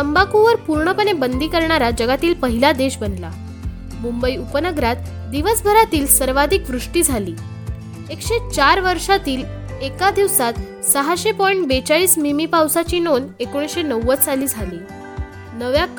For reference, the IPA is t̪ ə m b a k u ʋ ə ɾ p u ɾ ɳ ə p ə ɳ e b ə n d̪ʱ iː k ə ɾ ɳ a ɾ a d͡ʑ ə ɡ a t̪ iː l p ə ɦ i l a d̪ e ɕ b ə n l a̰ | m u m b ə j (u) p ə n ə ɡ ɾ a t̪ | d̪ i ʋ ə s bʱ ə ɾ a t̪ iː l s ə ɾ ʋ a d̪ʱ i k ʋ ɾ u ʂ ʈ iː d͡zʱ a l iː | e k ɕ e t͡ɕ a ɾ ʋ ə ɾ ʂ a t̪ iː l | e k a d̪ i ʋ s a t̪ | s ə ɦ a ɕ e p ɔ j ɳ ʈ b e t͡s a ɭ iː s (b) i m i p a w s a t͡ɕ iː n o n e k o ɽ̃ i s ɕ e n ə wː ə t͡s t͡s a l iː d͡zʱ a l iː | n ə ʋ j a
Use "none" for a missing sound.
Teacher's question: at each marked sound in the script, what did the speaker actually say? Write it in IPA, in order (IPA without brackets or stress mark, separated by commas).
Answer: u, m